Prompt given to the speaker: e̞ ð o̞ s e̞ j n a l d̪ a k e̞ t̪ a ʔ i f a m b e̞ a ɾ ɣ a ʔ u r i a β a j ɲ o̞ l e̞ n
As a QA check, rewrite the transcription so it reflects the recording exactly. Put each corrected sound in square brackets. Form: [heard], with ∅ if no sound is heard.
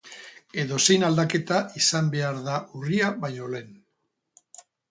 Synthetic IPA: e̞ ð o̞ s e̞ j n a l d̪ a k e̞ t̪ a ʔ i [s] a m b e̞ a ɾ [ð] a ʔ u r i a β a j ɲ o̞ l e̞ n